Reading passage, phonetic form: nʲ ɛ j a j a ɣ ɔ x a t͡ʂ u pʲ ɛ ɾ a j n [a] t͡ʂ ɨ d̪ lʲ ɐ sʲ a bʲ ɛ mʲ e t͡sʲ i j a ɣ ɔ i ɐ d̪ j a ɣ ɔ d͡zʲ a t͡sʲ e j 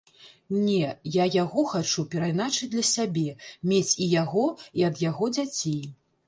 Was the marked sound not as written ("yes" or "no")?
no